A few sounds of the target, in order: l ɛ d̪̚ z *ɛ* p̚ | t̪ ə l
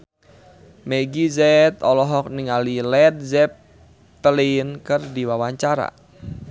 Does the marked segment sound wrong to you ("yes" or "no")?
no